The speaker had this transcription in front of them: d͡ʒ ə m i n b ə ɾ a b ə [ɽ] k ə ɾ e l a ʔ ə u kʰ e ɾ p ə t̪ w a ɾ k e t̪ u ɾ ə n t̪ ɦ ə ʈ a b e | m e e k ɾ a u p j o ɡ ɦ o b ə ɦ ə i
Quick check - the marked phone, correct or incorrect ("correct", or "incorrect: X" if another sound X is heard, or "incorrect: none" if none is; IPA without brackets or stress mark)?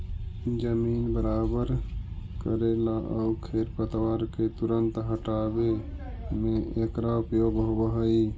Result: incorrect: ɾ